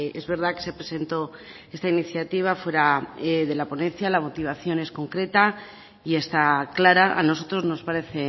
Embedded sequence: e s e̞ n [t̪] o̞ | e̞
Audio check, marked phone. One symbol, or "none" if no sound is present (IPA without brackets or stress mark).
t̪